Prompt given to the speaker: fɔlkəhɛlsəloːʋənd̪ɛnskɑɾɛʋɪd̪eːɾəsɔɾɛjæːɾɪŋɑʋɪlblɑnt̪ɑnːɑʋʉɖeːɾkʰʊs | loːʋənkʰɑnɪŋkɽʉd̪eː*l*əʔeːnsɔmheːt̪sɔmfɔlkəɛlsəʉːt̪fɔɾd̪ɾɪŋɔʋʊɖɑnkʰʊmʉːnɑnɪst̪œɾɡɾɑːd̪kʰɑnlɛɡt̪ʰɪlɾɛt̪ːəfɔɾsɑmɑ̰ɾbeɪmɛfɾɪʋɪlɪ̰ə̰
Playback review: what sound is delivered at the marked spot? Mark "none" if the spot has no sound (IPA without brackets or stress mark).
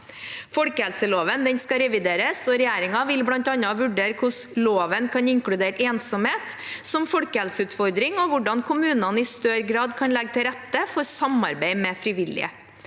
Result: ɾ